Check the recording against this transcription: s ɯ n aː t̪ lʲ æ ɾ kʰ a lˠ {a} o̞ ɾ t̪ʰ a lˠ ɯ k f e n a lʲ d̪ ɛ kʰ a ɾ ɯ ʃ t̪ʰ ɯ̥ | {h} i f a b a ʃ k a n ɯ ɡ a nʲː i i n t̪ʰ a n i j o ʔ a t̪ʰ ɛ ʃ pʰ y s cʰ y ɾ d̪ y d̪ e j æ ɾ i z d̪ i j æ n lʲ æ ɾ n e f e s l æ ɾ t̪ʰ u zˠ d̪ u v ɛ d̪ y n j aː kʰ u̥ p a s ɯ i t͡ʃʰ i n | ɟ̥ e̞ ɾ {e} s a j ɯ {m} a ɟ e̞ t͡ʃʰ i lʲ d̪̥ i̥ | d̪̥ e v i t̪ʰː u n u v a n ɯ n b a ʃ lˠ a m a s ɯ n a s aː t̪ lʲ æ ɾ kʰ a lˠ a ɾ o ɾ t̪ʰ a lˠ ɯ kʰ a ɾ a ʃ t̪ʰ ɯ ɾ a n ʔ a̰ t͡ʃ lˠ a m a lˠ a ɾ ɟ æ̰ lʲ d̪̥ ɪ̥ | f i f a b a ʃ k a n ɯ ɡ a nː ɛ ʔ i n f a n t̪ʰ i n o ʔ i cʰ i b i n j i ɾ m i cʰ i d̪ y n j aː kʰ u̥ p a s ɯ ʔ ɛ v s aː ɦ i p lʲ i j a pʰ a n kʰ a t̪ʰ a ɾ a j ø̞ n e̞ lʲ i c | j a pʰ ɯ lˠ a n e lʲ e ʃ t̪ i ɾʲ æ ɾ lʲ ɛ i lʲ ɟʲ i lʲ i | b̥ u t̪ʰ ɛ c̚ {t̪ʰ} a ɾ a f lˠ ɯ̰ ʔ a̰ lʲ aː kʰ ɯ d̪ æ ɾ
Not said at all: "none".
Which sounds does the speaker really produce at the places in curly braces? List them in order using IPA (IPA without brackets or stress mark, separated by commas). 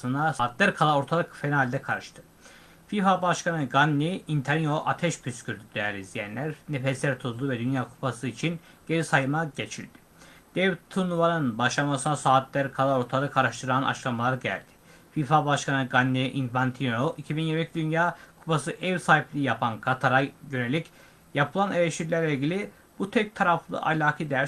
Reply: a, f, i, m, t̪ʰ